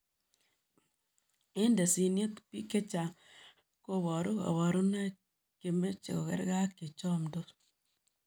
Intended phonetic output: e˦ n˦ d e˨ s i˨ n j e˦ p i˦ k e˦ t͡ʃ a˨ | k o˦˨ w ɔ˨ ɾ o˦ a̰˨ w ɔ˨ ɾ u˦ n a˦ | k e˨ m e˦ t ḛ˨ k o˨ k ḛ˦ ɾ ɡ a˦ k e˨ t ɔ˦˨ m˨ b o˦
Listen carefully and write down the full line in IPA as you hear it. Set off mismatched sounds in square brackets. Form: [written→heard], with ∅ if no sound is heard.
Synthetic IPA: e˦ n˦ d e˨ s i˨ n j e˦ p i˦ k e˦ t͡ʃ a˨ | k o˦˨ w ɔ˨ ɾ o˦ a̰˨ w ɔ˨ ɾ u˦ n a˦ | k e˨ m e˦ [t→t͡ʃ] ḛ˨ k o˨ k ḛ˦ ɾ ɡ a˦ k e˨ [t→t͡ʃ] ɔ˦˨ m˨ [b→d] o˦